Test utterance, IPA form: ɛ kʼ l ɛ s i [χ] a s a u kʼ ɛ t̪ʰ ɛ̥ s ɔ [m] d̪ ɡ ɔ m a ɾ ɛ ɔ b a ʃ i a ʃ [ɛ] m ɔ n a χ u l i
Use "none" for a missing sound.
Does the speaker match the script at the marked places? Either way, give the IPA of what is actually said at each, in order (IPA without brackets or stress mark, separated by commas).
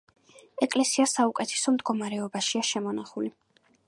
none, m, ɛ